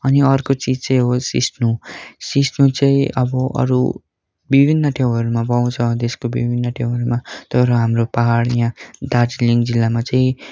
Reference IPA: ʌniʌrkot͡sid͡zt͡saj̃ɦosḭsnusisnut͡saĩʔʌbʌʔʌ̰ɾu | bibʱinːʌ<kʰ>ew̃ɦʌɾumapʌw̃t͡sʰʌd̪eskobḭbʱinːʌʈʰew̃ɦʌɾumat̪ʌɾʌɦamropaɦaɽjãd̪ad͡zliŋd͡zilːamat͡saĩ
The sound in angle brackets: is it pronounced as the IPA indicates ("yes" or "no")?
no